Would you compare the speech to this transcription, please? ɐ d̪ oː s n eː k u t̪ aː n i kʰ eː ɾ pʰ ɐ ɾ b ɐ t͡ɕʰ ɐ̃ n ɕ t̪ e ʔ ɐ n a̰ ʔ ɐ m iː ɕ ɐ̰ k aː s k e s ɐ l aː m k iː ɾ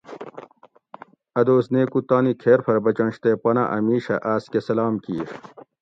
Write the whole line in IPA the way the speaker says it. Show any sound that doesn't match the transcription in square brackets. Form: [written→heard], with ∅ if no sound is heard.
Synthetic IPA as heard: ɐ d̪ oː s n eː k u t̪ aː n i kʰ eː ɾ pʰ ɐ ɾ b ɐ [t͡ɕʰ→t͡ɕ] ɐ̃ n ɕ t̪ e [ʔ→p] ɐ n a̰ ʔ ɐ m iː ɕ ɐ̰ [k→ʔ] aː s k e s ɐ l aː m k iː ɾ

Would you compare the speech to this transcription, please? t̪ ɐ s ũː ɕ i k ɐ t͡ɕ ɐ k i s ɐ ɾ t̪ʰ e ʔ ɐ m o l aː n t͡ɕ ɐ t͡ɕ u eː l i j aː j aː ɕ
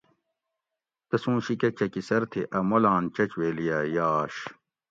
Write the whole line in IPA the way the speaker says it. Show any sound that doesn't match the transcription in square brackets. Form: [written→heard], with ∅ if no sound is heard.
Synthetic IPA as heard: t̪ ɐ s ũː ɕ i k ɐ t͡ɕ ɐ k i s ɐ ɾ t̪ʰ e ʔ ɐ m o l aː n t͡ɕ ɐ t͡ɕ [u→w] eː l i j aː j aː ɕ

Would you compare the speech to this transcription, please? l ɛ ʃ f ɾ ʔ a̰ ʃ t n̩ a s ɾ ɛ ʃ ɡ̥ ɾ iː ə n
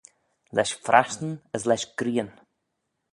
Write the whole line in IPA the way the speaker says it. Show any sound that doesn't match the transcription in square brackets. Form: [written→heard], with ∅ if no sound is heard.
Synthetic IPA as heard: l ɛ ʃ f ɾ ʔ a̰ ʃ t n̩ [a→ə] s [ɾ→l] ɛ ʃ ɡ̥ ɾ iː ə n

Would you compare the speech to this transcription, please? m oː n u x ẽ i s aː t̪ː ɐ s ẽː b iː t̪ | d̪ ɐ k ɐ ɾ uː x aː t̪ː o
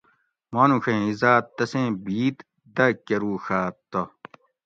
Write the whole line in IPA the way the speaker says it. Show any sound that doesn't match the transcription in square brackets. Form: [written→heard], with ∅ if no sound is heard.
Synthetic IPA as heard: m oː n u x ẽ i [s→z] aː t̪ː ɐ s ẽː b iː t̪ | d̪ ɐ k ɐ ɾ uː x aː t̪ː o

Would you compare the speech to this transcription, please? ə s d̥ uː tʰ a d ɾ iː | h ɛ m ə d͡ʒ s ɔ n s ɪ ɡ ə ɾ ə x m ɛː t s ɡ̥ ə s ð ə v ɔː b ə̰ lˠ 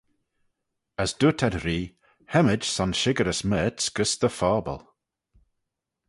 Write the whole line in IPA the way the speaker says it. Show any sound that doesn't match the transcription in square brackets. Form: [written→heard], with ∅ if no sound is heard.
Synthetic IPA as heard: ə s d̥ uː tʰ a d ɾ iː | h ɛ m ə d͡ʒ s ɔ n [s→ʃ] ɪ ɡ ə ɾ ə [x→s] m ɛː t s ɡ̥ ə s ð ə [v→f] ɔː b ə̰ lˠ

